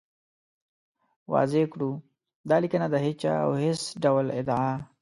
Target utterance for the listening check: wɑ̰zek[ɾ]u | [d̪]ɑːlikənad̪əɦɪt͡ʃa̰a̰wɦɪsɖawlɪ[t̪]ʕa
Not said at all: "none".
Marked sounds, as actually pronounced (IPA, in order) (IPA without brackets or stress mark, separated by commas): ɽ, d̪, d̪